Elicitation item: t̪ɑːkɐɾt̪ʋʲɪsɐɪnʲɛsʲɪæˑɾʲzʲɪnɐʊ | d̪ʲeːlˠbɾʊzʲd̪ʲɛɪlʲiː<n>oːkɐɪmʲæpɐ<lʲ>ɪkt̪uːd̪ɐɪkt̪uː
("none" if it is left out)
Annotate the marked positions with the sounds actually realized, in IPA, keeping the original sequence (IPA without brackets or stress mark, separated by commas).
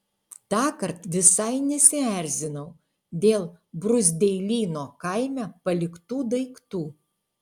n, lʲ